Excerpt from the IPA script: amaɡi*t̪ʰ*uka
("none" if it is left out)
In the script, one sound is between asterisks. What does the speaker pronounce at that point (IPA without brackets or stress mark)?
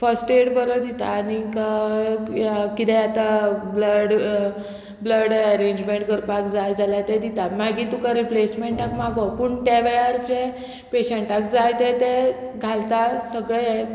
t̪